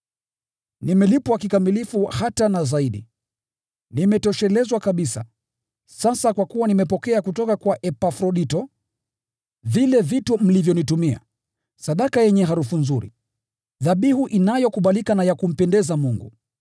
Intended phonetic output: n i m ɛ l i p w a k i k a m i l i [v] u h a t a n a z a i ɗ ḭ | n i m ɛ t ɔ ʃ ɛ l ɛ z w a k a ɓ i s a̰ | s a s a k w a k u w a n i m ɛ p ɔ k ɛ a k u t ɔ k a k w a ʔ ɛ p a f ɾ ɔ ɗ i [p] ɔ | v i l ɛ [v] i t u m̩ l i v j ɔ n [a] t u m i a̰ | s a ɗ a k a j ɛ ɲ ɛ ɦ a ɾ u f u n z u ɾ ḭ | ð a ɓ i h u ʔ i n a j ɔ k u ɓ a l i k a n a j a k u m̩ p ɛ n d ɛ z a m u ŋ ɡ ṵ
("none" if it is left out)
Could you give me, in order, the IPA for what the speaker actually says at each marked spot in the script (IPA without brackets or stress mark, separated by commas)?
f, t, v, i